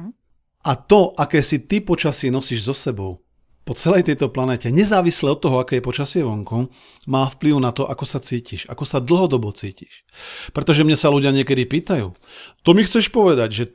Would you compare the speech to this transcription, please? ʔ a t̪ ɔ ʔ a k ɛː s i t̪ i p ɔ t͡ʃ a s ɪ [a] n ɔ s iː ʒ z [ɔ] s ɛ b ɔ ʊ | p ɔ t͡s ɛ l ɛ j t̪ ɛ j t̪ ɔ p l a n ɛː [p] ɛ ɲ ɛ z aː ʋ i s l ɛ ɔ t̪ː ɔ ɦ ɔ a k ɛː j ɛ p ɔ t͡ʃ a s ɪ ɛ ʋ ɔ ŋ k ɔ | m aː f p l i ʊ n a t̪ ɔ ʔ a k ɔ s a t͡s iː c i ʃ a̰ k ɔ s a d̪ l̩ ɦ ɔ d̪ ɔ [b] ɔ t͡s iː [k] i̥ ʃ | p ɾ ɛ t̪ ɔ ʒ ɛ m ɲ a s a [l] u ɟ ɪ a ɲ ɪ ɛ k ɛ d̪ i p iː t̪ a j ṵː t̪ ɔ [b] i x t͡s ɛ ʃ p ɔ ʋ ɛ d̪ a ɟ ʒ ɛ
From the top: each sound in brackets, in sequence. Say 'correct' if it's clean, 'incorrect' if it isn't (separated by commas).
incorrect, correct, incorrect, correct, incorrect, correct, incorrect